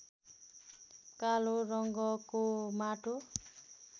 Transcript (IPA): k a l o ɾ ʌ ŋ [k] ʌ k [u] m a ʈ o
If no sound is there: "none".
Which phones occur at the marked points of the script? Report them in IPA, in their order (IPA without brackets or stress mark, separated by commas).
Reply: ɡ, o